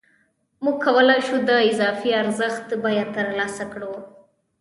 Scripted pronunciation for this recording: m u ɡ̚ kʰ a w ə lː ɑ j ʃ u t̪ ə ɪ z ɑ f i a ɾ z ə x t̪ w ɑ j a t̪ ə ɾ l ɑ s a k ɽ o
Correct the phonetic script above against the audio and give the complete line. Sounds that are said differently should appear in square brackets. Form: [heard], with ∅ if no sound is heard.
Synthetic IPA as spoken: m u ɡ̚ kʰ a w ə [l] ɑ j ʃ u [d̪] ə ɪ z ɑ f i a ɾ z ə x t̪ [b] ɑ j a t̪ ə ɾ l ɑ s a k ɽ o